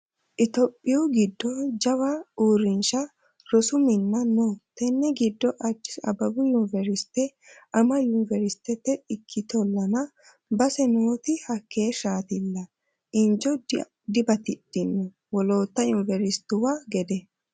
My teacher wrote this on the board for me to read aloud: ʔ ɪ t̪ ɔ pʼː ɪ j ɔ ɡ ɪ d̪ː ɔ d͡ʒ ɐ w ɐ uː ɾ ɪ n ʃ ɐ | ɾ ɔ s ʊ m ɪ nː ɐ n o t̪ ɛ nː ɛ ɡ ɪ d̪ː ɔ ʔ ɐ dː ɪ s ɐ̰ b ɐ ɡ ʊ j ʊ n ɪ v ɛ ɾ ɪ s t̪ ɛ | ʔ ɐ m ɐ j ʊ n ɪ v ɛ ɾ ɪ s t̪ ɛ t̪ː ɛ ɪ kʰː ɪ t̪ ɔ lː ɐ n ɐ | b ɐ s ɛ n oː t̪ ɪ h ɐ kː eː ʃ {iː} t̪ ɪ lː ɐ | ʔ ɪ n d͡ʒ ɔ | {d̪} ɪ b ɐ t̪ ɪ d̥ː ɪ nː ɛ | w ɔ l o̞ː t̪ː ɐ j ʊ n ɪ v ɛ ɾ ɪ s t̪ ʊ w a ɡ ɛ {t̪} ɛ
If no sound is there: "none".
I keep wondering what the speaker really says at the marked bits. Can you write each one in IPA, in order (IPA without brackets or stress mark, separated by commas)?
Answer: aː, d̪, d̪